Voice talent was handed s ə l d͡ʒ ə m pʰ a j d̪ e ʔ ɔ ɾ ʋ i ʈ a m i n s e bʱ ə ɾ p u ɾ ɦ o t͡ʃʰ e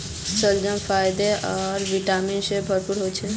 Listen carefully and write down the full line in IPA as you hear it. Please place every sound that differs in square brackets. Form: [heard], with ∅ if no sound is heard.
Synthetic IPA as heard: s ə l d͡ʒ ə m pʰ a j d̪ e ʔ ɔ ɾ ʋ i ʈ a m i n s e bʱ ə ɾ p u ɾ ɦ o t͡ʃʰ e